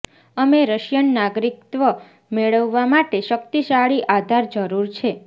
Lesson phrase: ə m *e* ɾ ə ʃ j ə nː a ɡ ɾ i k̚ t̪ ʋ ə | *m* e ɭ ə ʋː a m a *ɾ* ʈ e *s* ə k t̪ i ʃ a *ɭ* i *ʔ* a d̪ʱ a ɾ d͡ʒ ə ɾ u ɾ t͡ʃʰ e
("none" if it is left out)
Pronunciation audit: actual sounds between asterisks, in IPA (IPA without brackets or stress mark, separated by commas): e, m, none, ʃ, ɭ, ʔ